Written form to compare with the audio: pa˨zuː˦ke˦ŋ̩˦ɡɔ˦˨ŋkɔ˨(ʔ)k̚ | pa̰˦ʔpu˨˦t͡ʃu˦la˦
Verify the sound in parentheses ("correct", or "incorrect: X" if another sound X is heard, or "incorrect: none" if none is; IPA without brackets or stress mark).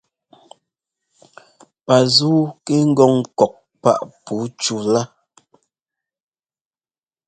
incorrect: none